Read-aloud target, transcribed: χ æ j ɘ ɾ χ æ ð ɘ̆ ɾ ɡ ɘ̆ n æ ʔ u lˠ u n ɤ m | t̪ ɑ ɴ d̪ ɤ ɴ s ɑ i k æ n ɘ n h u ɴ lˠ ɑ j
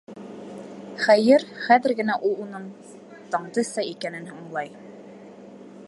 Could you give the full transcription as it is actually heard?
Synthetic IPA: χ æ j ɘ ɾ χ æ ð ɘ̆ ɾ ɡ ɘ̆ n æ ʔ u lˠ u n ɤ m | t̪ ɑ ɴ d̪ ɤ s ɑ i k æ n ɘ n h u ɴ lˠ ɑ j